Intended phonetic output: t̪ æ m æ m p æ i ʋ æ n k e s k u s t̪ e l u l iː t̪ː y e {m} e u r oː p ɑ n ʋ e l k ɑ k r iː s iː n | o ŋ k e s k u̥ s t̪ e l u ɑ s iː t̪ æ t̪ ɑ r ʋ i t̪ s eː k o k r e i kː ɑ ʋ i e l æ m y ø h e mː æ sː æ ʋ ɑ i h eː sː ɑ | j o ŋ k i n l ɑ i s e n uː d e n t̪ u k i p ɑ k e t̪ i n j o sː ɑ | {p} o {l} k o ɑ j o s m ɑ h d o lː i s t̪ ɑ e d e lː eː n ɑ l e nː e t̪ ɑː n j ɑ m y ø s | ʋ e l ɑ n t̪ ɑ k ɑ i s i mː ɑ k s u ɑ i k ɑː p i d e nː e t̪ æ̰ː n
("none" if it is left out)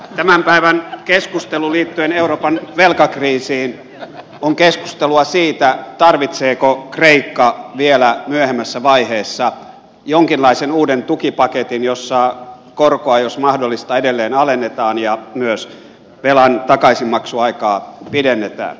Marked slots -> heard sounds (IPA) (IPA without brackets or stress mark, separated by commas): n, k, r